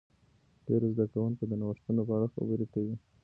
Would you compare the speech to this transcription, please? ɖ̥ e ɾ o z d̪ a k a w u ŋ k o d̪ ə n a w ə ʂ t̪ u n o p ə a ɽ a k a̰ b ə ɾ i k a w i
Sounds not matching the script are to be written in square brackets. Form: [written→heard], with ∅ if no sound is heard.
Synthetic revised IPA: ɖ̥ e ɾ o z d̪ a k a w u ŋ k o d̪ ə n a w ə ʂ t̪ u n o p ə a ɽ a [k→x] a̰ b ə ɾ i k a w i